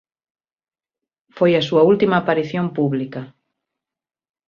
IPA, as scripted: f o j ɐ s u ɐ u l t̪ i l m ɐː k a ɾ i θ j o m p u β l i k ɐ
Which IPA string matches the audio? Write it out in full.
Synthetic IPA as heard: f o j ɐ s u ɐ u l t̪ i m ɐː p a ɾ i θ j o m p u β l i k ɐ